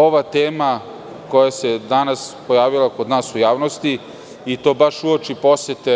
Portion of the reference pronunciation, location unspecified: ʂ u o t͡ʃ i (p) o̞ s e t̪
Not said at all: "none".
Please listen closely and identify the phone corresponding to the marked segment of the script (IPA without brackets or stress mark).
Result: p